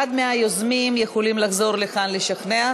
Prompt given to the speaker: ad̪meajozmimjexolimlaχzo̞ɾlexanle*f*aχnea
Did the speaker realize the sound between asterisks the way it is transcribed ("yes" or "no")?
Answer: no